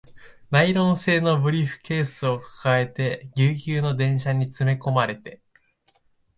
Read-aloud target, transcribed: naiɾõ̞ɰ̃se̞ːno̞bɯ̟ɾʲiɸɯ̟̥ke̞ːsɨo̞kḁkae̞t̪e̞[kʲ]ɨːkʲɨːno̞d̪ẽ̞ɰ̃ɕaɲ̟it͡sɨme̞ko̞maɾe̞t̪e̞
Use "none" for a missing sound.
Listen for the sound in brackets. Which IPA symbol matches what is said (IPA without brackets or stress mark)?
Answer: ɡʲ